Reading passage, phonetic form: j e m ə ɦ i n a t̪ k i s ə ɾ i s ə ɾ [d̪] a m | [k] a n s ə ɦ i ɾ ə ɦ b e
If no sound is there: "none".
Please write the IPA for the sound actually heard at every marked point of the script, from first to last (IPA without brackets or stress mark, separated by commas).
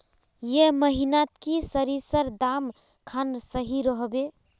d̪, kʰ